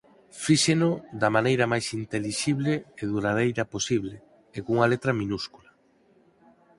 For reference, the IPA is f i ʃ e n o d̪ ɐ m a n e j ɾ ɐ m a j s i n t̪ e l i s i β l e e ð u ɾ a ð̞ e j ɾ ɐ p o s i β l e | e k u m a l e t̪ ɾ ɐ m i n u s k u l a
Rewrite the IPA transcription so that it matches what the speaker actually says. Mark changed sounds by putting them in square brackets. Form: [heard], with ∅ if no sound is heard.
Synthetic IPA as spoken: f i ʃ e n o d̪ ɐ m a n e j ɾ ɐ m a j s i n t̪ e l i [ʃ] i β l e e ð u ɾ a ð̞ e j ɾ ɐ p o s i β l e | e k u [ŋ] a l e t̪ ɾ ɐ m i n u s k u l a